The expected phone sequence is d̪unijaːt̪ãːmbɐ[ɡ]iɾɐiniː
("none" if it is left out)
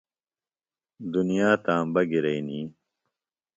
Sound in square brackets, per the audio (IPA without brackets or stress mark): ɡ